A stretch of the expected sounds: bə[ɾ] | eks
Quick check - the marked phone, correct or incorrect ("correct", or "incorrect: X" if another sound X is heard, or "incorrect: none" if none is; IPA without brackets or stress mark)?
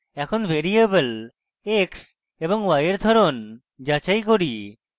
incorrect: l